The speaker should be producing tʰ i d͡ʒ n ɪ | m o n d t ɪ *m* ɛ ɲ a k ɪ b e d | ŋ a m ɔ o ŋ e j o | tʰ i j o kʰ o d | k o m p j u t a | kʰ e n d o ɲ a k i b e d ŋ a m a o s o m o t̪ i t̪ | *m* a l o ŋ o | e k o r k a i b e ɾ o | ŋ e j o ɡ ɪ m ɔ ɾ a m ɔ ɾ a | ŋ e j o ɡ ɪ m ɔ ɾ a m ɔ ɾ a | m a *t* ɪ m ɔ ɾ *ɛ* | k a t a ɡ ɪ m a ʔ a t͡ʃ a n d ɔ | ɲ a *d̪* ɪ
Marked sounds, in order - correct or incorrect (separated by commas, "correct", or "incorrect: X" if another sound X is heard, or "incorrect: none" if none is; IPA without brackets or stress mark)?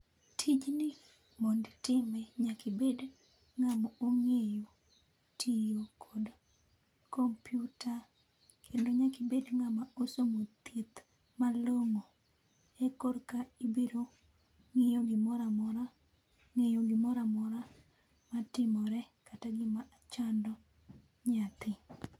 correct, correct, correct, correct, incorrect: t̪